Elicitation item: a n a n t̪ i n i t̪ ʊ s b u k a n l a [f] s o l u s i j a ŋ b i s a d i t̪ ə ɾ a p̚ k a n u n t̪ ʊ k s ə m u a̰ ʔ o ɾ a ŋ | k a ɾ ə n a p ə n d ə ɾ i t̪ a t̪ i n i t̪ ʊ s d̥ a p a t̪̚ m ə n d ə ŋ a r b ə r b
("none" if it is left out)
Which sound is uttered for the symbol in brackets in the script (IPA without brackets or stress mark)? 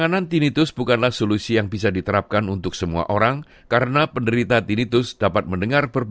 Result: h